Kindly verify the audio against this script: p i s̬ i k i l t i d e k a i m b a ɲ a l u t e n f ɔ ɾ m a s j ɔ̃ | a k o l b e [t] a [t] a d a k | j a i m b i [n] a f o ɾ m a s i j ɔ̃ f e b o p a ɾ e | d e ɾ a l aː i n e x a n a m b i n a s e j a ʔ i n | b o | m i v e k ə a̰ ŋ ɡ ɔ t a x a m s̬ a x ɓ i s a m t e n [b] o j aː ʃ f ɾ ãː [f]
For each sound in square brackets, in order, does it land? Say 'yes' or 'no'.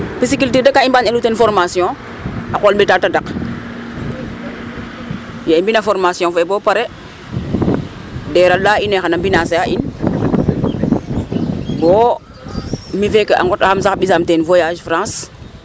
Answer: yes, yes, yes, no, no

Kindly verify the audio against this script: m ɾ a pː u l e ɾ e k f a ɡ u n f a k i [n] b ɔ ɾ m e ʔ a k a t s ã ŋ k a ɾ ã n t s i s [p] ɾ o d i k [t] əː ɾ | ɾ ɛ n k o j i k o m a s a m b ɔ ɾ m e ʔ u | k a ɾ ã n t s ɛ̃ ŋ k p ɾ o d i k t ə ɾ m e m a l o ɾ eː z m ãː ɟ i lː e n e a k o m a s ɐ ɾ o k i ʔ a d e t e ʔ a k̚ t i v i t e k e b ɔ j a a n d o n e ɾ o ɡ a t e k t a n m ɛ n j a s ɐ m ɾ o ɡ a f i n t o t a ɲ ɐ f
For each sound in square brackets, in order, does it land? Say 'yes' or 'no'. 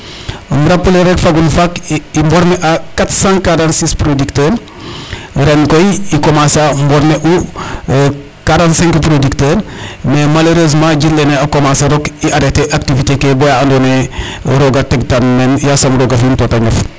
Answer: no, yes, yes

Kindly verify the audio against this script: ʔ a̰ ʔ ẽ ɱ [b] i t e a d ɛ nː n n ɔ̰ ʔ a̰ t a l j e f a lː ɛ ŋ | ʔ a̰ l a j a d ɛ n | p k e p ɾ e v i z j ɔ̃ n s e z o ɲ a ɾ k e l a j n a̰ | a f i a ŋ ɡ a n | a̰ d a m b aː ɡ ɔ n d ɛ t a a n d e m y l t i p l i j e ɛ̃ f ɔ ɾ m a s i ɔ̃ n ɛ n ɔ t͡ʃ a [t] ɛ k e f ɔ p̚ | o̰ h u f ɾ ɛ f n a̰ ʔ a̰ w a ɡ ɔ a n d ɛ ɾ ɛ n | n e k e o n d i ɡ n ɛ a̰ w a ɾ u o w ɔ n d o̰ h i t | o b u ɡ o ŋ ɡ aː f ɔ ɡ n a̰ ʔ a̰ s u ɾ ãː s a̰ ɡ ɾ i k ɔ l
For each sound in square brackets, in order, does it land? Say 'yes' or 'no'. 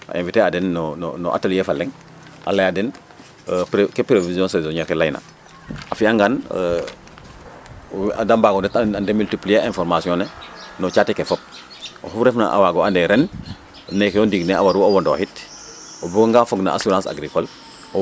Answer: no, yes

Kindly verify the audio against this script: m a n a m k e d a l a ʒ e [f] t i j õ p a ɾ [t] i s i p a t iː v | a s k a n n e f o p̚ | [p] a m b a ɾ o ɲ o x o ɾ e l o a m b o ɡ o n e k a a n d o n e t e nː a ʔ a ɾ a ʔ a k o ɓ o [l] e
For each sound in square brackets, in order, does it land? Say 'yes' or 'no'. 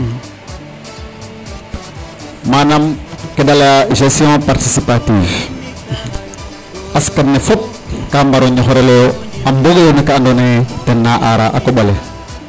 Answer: no, yes, no, yes

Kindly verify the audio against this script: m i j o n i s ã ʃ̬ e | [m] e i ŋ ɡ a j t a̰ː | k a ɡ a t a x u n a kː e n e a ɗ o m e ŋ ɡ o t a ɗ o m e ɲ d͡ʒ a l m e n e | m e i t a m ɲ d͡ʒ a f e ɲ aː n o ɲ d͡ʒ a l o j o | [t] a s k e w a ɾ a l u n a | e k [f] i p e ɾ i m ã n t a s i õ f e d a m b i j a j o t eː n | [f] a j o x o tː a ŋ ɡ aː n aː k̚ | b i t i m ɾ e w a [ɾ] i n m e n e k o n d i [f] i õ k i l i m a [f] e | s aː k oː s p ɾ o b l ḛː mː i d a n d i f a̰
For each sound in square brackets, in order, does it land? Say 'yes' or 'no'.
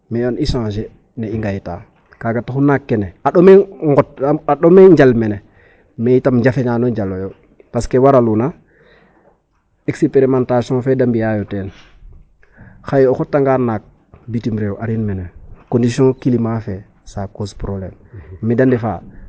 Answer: no, no, no, no, yes, no, yes

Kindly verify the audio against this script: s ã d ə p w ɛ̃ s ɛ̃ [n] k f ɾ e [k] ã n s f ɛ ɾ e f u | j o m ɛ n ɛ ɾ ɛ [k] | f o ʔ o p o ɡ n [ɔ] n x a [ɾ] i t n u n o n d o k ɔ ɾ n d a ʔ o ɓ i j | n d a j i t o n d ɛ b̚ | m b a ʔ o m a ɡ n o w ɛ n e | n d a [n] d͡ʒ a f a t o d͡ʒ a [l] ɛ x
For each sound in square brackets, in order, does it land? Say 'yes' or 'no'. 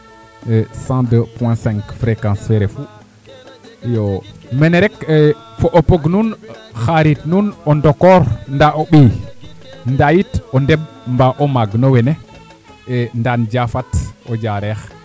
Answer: no, yes, yes, no, yes, yes, no

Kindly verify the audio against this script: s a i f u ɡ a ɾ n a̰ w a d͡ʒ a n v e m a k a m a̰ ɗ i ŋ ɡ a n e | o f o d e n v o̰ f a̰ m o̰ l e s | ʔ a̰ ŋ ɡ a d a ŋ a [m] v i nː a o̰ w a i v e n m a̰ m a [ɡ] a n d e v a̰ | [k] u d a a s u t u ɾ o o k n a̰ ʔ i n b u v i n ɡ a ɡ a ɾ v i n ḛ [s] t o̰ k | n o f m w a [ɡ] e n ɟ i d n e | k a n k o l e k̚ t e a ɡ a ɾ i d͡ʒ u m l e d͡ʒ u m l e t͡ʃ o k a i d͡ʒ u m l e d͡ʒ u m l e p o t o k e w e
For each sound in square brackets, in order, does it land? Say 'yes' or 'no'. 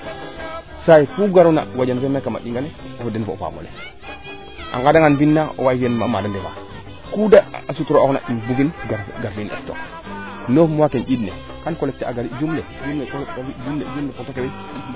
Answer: no, no, yes, yes, no

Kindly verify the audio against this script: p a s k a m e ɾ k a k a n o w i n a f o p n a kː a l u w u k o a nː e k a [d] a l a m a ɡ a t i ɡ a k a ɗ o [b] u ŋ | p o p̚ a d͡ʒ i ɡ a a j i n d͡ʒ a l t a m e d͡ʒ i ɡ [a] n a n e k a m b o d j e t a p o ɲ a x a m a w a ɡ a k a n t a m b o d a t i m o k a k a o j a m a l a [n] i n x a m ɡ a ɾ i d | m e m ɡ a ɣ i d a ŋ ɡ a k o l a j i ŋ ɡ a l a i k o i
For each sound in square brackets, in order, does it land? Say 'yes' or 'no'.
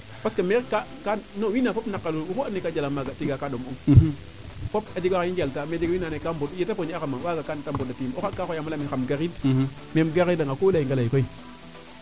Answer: no, no, no, no

